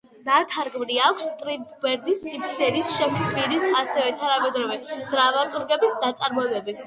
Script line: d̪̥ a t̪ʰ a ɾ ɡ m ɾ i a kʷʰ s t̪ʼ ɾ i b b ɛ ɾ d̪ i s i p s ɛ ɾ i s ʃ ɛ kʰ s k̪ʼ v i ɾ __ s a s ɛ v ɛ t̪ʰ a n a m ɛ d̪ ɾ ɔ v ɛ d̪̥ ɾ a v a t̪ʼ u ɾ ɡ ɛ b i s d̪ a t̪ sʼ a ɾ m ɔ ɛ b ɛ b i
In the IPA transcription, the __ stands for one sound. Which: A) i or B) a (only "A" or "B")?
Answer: A